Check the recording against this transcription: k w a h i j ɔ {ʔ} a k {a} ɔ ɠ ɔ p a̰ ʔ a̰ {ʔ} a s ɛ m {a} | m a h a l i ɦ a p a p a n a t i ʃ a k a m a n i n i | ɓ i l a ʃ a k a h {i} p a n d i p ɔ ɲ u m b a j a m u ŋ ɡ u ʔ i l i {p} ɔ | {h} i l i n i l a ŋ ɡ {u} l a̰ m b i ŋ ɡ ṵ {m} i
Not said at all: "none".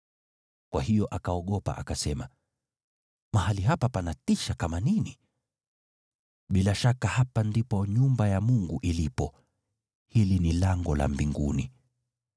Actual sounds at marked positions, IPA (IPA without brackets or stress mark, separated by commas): ʔ, a, k, a, a, p, h, ɔ, n